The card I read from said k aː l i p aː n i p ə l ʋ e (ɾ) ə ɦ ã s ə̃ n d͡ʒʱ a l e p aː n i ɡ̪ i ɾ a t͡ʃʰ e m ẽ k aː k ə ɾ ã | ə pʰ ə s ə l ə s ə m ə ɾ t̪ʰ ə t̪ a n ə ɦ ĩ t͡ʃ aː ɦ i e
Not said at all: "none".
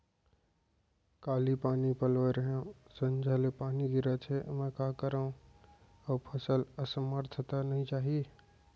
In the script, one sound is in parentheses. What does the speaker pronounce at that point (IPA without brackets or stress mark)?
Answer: ɾ